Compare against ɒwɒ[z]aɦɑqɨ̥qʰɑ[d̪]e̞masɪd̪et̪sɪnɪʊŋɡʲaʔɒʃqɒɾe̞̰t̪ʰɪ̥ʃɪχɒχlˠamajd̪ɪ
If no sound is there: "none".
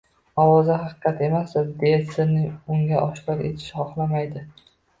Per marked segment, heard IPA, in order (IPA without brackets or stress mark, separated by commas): z, t̪